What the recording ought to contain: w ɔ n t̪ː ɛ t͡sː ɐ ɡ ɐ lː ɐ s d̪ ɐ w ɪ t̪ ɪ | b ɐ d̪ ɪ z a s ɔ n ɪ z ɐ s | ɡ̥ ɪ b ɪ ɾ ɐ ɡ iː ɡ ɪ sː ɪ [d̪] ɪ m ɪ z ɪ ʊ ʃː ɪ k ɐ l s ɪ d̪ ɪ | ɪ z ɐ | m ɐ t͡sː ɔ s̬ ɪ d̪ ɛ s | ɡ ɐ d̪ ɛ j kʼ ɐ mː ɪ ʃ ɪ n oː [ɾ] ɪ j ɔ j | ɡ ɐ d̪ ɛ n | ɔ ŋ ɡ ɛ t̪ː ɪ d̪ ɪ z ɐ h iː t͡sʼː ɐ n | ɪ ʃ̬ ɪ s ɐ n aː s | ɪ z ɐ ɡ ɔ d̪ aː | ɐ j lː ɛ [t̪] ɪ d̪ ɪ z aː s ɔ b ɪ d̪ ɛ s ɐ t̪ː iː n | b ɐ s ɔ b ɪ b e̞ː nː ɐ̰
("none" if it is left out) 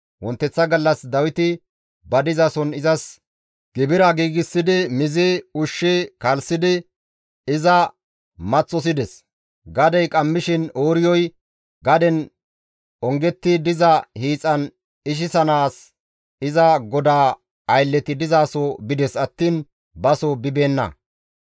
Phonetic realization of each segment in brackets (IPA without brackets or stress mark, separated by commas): d̪, ɾ, t̪